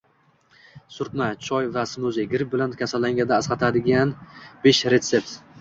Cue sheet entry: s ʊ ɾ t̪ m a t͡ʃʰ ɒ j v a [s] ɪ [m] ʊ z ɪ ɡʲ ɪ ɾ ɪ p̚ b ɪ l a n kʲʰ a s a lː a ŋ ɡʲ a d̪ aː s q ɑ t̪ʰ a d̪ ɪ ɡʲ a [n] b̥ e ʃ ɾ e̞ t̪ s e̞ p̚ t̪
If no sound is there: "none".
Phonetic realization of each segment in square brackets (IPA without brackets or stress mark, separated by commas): s, m, n